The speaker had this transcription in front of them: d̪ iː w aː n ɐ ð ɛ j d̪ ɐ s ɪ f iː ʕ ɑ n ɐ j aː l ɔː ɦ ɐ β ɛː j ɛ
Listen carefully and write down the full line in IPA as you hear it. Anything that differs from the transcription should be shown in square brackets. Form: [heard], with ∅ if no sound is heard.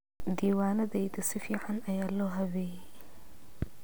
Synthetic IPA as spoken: d̪ iː w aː n ɐ ð ɛ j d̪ ɐ s ɪ f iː ʕ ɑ n ɐ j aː l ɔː ɦ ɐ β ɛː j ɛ